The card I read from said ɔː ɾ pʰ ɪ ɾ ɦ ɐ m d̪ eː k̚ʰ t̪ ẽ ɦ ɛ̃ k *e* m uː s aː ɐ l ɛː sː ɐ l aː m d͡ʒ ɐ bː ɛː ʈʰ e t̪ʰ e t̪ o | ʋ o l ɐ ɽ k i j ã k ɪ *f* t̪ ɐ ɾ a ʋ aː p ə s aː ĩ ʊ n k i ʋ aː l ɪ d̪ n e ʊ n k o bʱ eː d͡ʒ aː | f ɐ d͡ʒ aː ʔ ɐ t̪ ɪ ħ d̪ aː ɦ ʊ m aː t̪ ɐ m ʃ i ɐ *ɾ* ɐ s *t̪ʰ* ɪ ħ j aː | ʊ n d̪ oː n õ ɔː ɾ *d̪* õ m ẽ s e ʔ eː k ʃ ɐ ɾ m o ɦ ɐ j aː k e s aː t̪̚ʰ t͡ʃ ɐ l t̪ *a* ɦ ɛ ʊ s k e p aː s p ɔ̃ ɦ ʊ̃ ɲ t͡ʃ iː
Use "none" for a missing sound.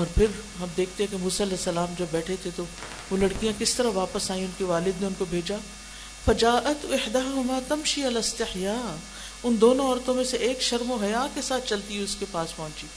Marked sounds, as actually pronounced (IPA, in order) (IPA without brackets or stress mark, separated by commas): e, s, l, t̪, t̪, i